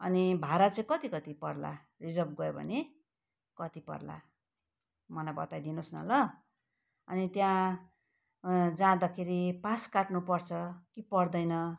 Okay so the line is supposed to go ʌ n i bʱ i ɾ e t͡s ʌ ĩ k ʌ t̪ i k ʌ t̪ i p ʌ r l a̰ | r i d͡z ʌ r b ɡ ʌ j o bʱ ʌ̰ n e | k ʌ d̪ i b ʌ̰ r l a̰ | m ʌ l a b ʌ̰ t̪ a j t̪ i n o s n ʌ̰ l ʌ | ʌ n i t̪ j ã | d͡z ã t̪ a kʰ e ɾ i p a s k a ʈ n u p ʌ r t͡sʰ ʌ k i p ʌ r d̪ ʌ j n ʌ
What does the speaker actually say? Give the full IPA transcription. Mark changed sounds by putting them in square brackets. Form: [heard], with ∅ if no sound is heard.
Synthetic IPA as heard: ʌ n i bʱ [a] ɾ [a] t͡s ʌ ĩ k ʌ t̪ i k ʌ t̪ i p ʌ r l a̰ | r i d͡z ʌ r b ɡ ʌ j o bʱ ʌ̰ n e | k ʌ [t̪] i [p] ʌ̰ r l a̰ | m ʌ l a b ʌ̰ t̪ a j [d̪] i n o s n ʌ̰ l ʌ | ʌ n i t̪ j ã | d͡z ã [d̪] a kʰ e ɾ i p a s k a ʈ n u p ʌ r t͡sʰ ʌ k i p ʌ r d̪ ʌ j n ʌ